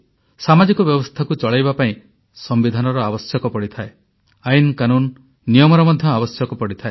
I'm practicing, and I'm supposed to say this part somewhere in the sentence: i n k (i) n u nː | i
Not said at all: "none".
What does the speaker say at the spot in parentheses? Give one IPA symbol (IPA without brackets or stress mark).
a